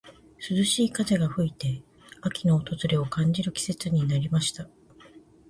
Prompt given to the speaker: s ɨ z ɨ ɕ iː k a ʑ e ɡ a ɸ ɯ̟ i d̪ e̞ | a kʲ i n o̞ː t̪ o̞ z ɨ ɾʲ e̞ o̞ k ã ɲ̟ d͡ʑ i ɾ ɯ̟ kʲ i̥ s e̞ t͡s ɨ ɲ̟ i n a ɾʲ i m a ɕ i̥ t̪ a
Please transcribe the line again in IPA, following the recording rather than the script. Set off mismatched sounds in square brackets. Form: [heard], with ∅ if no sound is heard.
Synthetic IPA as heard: s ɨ z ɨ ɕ iː k a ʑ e ɡ a ɸ ɯ̟ i [t̪] e̞ | a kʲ i n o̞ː t̪ o̞ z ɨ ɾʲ e̞ o̞ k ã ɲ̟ d͡ʑ i ɾ ɯ̟ kʲ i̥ s e̞ t͡s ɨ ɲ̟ i n a ɾʲ i m a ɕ i̥ t̪ a